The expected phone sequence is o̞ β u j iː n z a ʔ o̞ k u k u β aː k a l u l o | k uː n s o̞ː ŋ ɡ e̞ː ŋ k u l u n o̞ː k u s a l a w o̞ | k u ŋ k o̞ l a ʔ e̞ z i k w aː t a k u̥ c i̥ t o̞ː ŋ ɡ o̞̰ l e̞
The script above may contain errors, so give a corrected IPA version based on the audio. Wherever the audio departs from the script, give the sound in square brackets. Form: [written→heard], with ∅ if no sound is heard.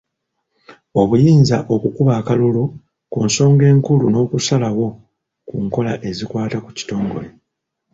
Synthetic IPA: o̞ β u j iː n z a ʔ o̞ k u k u β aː k a l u l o | k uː n s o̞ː ŋ ɡ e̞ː ŋ k u l u n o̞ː k u s a l a w o̞ | k u ŋ k o̞ l a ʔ e̞ z i k w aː t a k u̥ c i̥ t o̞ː ŋ ɡ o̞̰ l e̞